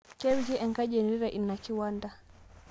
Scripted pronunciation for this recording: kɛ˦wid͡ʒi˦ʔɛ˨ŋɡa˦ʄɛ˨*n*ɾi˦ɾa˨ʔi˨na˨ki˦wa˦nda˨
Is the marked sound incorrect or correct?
correct